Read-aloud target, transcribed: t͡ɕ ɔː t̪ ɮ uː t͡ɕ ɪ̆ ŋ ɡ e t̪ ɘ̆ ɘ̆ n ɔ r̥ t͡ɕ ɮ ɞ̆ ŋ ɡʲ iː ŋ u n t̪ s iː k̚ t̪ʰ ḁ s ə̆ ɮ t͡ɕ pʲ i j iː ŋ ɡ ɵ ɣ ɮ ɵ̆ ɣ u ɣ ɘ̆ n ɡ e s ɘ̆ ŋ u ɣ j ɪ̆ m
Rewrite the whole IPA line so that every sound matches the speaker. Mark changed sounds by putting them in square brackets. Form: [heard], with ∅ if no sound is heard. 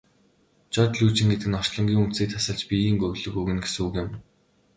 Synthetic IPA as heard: t͡ɕ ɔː t̪ ɮ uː t͡ɕ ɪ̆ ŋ ɡ e t̪ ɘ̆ ɘ̆ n ɔ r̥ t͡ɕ ɮ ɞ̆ ŋ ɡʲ iː ŋ u n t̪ s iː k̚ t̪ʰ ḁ s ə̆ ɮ t͡ɕ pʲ i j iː ŋ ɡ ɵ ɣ ɮ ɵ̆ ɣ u ɣ ɘ̆ n ɡ e s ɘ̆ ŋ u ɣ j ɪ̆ m